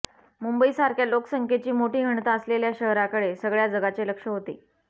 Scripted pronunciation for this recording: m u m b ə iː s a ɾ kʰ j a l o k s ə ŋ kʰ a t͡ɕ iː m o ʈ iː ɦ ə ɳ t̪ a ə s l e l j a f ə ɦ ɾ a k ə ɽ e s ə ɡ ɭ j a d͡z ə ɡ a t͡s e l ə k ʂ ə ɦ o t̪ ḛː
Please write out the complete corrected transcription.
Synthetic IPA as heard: m u m b ə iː s a ɾ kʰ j a l o k s ə ŋ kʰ e t͡ɕ iː m o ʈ iː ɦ ə ɳ t̪ a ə s l e l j a ɕ ə ɦ ɾ a k ə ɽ e s ə ɡ ɭ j a d͡z ə ɡ a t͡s e l ə k ʂ ə ɦ o t̪ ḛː